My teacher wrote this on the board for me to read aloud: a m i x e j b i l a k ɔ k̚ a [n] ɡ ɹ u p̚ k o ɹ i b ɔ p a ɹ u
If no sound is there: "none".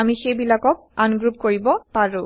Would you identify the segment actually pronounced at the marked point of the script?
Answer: n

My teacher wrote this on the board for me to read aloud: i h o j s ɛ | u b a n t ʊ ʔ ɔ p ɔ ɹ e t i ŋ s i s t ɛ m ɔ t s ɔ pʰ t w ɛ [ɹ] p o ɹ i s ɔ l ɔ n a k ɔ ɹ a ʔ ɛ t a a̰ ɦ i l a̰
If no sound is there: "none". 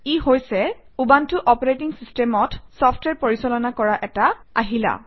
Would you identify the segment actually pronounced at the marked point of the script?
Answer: ɹ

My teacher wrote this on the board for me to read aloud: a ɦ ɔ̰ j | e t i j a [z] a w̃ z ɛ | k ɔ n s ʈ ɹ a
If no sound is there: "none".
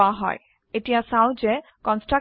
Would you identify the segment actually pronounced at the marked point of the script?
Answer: s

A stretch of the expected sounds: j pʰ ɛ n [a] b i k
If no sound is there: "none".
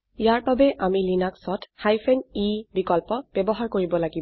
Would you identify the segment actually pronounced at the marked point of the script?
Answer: i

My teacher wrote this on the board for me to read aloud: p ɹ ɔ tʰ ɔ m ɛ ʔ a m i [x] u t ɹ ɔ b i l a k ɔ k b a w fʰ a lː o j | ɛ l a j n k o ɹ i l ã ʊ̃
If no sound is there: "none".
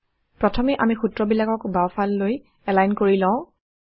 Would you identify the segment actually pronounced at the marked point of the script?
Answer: x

